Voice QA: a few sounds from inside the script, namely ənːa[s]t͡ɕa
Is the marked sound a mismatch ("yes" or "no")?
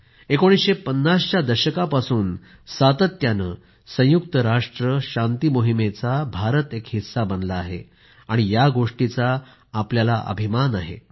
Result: no